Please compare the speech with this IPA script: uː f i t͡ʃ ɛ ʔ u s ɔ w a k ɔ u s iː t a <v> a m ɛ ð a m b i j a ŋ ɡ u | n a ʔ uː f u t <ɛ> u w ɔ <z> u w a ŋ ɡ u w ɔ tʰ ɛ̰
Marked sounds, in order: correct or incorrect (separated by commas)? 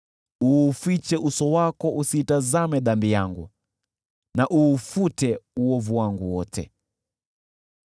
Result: incorrect, correct, incorrect